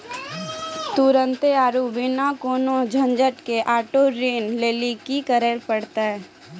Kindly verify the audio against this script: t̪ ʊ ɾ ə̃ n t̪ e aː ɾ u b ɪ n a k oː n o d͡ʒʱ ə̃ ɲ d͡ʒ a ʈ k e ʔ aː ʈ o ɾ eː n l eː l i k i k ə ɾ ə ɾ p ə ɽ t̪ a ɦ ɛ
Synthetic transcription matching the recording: t̪ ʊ ɾ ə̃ n t̪ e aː ɾ u b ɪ n a k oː n o d͡ʒʱ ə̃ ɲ d͡ʒ ə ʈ k e ʔ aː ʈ o ɾ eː n l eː l i k i k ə ɾ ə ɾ p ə ɽ t̪ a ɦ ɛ